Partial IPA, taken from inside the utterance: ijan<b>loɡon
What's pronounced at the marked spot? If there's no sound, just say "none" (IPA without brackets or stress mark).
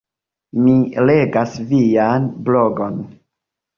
b